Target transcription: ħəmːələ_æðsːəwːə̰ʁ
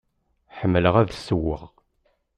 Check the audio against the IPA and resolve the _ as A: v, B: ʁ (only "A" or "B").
B